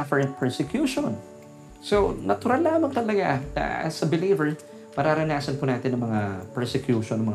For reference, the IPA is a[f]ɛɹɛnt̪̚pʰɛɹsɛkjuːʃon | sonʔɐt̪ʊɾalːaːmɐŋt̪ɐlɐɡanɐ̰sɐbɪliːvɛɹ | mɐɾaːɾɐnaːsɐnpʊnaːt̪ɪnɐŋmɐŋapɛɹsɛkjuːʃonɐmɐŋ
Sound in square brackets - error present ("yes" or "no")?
no